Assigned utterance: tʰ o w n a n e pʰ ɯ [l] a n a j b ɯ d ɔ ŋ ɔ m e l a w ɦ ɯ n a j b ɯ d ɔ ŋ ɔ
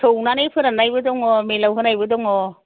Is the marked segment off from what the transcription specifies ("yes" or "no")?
yes